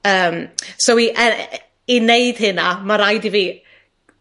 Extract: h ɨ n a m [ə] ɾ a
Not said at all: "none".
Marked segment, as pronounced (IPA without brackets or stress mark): a